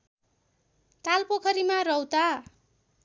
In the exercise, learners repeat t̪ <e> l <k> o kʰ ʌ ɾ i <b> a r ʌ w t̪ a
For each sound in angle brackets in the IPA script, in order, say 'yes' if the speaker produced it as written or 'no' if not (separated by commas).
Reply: no, no, no